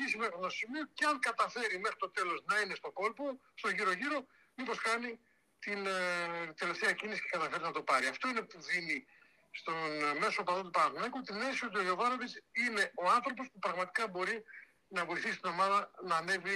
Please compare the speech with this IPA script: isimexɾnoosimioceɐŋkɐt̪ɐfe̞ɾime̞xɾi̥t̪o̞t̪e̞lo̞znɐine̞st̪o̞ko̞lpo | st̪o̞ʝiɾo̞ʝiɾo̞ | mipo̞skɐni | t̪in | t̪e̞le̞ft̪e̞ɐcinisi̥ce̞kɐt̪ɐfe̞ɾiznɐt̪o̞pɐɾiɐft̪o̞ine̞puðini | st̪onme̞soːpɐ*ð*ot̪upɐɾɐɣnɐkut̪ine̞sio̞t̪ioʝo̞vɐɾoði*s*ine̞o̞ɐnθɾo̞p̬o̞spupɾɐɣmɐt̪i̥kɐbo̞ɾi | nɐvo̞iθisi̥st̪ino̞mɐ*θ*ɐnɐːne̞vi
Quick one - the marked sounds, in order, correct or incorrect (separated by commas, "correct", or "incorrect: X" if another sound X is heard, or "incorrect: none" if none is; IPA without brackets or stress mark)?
correct, correct, incorrect: ð